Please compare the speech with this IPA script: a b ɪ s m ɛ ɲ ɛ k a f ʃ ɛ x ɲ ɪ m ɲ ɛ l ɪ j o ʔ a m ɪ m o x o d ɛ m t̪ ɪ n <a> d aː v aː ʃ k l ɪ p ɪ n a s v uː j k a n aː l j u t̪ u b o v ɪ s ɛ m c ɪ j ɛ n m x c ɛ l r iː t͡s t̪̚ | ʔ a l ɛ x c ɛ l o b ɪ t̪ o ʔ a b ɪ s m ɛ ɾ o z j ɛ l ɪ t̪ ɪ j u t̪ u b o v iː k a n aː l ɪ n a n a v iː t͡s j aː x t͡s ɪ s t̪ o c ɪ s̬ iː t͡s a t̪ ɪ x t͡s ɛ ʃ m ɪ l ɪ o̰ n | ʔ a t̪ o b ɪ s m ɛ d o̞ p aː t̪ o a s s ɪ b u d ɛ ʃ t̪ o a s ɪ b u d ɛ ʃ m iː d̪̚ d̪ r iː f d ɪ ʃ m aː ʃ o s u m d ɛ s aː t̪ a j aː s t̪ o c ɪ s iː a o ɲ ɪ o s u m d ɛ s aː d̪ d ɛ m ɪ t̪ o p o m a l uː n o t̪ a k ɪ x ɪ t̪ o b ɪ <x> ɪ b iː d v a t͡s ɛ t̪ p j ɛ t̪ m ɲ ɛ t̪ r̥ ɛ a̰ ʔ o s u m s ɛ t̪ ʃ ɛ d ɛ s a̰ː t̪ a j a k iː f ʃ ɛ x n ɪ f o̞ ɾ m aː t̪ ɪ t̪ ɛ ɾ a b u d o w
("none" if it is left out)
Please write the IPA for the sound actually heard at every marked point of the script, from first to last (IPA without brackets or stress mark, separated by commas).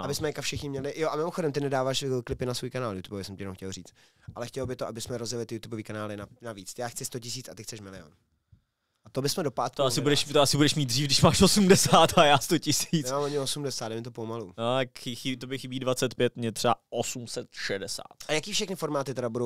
ɛ, x